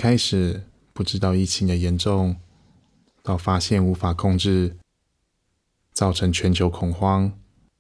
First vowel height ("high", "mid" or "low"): low